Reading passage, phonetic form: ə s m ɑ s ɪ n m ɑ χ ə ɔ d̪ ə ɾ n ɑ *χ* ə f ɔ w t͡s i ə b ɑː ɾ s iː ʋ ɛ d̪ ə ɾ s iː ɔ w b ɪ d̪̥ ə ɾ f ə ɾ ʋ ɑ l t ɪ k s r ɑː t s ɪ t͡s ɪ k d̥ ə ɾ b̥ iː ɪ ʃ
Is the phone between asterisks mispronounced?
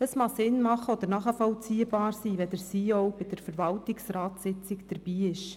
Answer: no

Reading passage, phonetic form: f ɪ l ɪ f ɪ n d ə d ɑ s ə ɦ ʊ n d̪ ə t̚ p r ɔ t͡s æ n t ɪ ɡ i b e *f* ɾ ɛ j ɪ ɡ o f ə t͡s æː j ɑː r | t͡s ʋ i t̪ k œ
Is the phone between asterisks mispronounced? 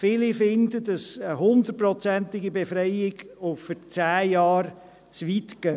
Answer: no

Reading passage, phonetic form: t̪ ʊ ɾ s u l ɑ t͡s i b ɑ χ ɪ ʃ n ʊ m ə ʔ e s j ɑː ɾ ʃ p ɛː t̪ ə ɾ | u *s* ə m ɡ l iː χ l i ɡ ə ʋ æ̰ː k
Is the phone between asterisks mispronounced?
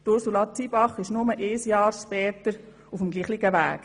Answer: yes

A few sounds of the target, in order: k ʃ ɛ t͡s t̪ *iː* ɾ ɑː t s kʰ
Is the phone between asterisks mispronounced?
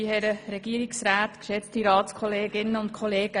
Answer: yes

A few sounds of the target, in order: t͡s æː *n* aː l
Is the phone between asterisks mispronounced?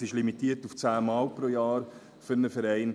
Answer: yes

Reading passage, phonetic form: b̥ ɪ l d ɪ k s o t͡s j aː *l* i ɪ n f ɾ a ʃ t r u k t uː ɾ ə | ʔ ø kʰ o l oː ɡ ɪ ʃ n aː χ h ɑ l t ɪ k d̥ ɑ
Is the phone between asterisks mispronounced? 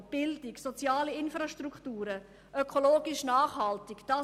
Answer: no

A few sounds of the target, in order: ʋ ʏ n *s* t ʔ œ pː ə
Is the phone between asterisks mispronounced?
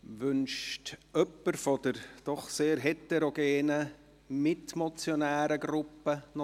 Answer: yes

